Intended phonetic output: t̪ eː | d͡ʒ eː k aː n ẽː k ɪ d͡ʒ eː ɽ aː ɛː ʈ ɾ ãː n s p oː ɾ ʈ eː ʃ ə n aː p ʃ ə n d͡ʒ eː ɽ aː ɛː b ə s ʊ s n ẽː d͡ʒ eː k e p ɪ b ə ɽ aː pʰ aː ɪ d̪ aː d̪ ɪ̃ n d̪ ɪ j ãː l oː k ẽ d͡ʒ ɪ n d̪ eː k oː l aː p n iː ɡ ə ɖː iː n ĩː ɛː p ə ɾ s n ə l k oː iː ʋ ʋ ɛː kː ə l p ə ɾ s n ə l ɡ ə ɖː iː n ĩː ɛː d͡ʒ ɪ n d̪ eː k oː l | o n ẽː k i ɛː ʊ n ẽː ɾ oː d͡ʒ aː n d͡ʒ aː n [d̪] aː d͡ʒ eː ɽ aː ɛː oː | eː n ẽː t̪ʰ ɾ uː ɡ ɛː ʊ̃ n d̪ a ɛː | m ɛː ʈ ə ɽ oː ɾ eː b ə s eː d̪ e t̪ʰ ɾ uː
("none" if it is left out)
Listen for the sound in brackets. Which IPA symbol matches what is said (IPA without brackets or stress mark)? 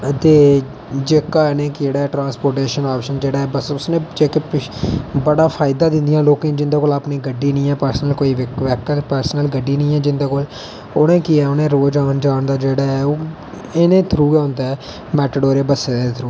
d̪